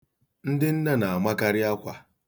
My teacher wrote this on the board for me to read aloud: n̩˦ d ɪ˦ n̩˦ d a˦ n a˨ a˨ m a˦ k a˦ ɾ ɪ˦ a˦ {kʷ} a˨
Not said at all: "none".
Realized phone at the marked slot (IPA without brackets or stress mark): kʷ